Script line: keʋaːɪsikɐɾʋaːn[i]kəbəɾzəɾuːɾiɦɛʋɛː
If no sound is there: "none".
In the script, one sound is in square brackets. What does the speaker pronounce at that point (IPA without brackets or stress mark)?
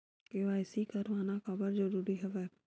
a